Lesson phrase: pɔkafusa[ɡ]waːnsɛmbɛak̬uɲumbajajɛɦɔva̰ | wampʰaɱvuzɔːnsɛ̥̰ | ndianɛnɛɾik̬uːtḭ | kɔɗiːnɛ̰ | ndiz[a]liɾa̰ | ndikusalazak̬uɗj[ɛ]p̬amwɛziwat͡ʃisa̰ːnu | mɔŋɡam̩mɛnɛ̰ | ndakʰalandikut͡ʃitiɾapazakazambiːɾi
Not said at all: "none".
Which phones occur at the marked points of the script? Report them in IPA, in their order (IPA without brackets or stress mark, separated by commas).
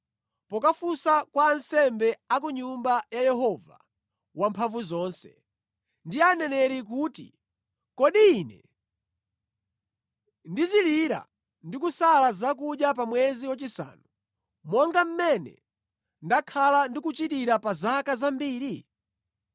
k, i, a